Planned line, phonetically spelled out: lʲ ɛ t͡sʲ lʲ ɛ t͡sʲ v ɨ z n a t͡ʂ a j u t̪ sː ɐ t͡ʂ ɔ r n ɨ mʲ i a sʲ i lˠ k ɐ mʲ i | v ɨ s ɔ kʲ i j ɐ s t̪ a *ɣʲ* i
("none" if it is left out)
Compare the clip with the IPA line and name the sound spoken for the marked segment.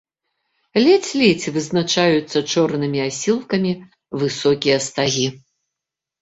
ɣʲ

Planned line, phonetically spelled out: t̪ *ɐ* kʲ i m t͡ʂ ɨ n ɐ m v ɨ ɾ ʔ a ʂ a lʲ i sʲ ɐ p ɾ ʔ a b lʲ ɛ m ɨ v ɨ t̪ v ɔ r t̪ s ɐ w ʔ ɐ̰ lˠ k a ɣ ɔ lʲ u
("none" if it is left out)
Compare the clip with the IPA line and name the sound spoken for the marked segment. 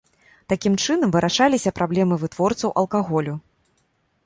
a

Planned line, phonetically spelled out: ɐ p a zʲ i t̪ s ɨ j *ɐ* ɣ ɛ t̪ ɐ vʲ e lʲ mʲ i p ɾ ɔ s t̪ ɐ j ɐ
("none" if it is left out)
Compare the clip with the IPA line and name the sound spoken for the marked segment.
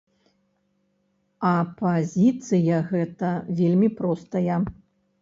ɐ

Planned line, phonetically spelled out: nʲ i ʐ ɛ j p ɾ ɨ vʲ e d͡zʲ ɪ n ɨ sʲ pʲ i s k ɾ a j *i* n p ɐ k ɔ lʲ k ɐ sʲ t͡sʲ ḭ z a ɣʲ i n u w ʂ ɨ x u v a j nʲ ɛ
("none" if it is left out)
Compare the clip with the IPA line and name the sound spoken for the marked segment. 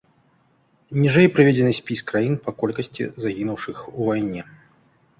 i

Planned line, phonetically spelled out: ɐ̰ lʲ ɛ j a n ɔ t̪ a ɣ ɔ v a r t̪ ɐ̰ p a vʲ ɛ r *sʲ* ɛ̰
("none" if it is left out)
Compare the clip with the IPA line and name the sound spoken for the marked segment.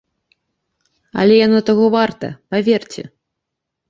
t͡sʲ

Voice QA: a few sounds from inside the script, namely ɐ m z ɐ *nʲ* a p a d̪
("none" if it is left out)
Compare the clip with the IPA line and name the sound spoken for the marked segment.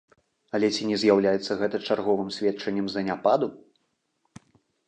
nʲ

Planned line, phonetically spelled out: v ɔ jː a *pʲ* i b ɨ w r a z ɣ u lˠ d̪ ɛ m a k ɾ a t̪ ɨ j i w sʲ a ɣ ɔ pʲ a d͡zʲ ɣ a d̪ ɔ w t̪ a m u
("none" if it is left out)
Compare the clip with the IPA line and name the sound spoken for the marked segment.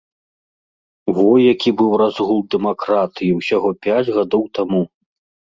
kʲ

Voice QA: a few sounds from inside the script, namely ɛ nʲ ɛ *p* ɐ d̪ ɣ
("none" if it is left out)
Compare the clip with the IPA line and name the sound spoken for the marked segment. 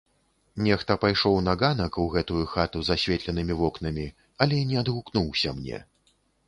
none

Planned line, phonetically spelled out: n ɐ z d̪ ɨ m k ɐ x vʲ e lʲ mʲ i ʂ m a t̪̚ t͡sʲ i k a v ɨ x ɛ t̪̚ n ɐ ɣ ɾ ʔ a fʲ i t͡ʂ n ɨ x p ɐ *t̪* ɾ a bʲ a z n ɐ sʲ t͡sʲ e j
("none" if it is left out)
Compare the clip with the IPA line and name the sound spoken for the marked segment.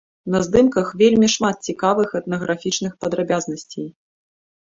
d̪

